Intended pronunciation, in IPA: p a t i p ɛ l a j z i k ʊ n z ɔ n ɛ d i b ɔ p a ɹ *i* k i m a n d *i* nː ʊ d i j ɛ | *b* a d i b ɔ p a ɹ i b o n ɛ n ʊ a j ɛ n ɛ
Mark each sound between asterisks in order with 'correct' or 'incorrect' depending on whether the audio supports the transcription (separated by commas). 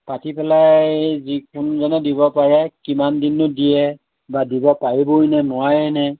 incorrect, correct, correct